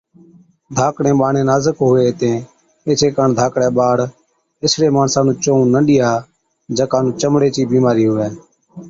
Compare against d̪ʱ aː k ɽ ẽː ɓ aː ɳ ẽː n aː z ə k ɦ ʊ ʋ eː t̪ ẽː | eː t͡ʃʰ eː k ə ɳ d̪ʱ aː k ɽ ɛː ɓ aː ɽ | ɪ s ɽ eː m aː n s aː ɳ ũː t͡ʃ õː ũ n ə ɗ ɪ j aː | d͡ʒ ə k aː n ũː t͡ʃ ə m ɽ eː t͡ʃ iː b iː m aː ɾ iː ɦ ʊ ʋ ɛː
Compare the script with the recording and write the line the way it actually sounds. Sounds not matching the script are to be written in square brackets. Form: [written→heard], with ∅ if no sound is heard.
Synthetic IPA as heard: d̪ʱ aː k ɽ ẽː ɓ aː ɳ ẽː n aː z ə k ɦ ʊ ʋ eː t̪ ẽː | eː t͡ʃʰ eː k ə ɳ d̪ʱ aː k ɽ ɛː ɓ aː ɽ | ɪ s ɽ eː m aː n s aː [ɳ→n] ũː t͡ʃ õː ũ n ə ɗ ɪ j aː | d͡ʒ ə k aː n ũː t͡ʃ ə m ɽ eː t͡ʃ iː b iː m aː ɾ iː ɦ ʊ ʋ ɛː